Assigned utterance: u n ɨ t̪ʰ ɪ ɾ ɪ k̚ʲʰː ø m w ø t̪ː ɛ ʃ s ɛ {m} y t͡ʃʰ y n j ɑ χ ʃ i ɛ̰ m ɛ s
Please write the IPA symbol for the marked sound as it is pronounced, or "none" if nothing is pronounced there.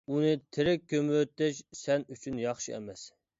n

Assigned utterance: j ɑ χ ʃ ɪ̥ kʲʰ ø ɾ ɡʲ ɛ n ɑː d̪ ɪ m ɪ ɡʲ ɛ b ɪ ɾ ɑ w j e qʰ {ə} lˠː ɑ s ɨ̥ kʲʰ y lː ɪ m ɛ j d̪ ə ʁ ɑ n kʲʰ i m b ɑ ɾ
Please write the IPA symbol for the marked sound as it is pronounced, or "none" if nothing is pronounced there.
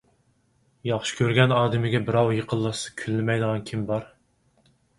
ə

